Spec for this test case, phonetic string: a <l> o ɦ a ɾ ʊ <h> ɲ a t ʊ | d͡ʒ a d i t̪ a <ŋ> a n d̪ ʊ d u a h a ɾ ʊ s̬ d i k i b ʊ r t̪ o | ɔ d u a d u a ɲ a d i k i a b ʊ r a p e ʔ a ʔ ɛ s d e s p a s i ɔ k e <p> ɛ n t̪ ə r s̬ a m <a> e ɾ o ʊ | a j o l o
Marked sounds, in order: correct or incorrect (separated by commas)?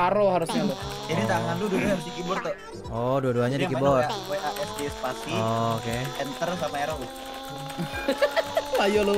incorrect, incorrect, correct, incorrect, correct